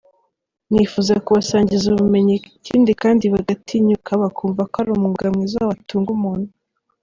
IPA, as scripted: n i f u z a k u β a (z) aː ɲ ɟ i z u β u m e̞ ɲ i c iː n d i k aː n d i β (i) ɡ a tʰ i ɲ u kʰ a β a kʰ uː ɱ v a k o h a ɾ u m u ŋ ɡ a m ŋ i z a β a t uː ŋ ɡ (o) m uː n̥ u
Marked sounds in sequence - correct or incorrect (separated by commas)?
incorrect, incorrect, incorrect